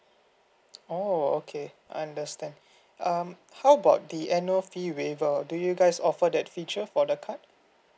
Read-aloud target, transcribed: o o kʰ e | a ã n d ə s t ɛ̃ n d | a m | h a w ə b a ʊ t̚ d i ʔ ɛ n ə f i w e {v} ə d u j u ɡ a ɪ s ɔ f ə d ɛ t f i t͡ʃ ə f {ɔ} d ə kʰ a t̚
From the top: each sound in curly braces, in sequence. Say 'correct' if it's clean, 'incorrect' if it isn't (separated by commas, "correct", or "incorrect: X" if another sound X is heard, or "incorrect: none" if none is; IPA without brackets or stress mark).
correct, correct